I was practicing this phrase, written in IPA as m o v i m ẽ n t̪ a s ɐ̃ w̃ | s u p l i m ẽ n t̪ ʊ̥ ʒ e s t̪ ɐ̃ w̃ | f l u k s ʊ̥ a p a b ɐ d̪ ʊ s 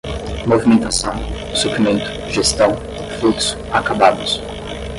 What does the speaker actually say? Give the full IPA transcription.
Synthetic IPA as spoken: m o v i m ẽ n t̪ a s ɐ̃ w̃ | s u p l i m ẽ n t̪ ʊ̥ ʒ e s t̪ ɐ̃ w̃ | f l u k s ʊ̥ a k a b a d̪ ʊ s